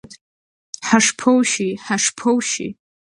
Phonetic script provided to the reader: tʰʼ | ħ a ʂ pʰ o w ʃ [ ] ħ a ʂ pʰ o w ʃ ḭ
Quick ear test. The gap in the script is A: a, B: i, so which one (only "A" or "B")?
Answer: B